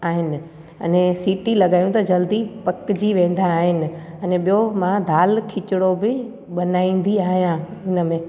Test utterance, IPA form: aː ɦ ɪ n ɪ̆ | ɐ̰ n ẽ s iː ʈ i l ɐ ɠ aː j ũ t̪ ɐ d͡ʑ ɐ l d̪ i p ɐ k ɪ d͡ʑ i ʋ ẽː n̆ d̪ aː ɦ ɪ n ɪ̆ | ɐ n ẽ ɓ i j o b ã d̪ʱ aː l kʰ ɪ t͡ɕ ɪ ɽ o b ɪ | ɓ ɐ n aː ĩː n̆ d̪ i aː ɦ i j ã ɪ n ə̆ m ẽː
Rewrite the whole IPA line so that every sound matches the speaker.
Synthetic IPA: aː ɦ ɪ n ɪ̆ | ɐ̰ n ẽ s iː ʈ i l ɐ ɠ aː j ũ t̪ ɐ d͡ʑ ɐ l d̪ i p ɐ k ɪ d͡ʑ i ʋ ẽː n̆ d̪ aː ɦ ɪ n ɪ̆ | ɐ n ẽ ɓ i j o m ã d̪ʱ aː l kʰ ɪ t͡ɕ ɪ ɽ o b ɪ | ɓ ɐ n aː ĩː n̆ d̪ i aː ɦ i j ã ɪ n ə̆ m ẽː